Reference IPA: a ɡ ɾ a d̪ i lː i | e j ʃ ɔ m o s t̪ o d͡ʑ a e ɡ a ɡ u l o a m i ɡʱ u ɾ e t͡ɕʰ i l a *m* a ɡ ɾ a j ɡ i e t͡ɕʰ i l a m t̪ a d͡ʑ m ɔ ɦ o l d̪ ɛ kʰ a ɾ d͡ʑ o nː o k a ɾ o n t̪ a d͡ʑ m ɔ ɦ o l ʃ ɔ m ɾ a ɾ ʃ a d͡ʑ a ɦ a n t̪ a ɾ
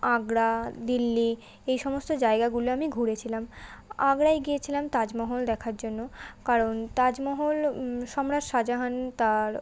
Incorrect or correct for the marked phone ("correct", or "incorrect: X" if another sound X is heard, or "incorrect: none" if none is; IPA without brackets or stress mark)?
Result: correct